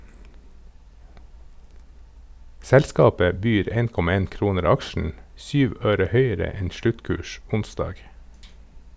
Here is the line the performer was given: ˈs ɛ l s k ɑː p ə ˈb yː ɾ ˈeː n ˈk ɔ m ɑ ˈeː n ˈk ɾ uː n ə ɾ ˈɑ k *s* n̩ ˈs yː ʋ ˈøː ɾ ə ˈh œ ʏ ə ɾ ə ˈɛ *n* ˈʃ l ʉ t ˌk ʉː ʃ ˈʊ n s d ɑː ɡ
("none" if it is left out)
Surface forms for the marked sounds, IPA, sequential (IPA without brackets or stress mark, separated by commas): ʃ, n